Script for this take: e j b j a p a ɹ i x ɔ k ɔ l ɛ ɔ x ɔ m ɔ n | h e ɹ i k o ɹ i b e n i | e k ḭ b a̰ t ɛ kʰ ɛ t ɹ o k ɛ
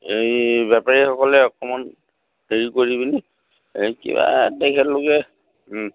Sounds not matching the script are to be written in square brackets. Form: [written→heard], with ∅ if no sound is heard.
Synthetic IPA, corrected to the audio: e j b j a p a ɹ i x ɔ k ɔ l ɛ ɔ [x→k] ɔ m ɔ n | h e ɹ i k o ɹ i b [e→i] n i | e k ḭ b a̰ t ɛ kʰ ɛ t [ɹ→l] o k ɛ